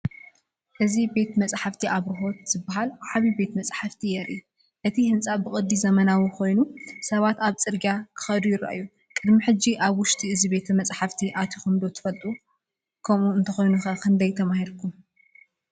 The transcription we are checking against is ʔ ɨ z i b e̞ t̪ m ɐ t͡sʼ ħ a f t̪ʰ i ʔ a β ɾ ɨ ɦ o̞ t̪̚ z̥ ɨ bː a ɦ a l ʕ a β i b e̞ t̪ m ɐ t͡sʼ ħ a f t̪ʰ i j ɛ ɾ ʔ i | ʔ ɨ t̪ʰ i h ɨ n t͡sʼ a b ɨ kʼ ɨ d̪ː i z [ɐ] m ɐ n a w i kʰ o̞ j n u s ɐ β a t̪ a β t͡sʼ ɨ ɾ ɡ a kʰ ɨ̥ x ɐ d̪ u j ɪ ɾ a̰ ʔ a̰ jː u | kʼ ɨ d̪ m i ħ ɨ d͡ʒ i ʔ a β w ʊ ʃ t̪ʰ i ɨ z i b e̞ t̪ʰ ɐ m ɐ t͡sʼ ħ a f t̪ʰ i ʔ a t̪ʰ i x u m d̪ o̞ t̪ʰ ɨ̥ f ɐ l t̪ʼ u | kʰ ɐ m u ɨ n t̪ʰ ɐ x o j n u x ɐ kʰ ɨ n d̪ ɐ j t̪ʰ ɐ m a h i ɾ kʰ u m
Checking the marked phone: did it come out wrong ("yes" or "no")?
no